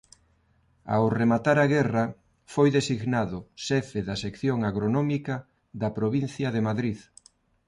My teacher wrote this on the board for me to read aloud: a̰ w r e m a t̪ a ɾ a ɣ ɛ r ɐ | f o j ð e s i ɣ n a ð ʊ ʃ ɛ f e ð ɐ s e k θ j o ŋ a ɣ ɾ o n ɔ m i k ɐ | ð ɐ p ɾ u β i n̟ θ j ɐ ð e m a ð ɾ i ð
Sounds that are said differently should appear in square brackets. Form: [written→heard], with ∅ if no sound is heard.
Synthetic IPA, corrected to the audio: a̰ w r e m a t̪ a ɾ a ɣ ɛ r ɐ | f o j ð e s i ɣ n a ð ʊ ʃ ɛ f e ð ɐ s e k θ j o ŋ a ɣ ɾ o n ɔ m i k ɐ | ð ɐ p ɾ [u→o] β i n̟ θ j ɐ ð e m a ð ɾ i ð